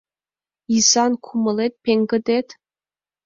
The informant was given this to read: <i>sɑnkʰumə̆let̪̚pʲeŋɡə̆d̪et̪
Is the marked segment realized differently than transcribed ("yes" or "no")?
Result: no